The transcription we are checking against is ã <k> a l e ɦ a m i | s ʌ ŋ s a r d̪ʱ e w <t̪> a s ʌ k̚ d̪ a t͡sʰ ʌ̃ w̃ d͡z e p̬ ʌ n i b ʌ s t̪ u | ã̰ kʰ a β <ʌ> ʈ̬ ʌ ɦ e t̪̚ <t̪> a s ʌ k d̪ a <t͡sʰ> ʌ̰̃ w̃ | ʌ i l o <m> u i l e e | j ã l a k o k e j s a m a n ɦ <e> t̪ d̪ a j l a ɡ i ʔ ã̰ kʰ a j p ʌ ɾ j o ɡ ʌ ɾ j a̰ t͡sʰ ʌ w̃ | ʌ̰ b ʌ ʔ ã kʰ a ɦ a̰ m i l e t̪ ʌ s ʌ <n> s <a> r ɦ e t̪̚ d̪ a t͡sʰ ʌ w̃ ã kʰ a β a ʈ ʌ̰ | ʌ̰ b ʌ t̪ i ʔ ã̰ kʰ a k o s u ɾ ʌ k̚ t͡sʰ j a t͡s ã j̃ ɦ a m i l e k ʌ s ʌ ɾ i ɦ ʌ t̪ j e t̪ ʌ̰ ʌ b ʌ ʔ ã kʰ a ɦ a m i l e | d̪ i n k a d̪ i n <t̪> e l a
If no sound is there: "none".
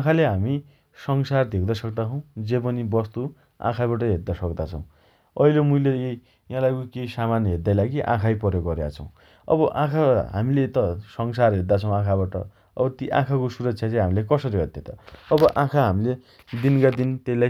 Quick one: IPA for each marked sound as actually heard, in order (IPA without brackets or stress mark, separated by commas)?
kʰ, d̪, a, d̪, t͡sʰ, m, e, ŋ, a, t̪